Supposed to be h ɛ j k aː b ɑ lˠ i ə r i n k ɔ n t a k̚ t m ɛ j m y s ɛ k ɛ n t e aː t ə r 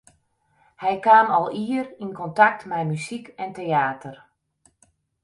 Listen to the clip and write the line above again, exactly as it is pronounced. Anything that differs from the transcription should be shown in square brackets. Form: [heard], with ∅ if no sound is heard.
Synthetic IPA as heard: h ɛ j k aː [m] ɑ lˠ i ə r i n k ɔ n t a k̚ t m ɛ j m y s [i] k ɛ n t e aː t ə r